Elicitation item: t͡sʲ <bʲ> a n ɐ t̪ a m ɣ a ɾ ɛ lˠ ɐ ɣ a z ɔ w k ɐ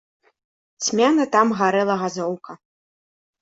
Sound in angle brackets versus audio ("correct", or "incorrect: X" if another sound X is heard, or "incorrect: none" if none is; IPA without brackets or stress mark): incorrect: mʲ